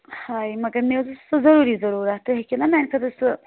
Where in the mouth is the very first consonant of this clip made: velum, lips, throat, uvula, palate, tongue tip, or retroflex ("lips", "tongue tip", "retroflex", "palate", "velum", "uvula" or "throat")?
throat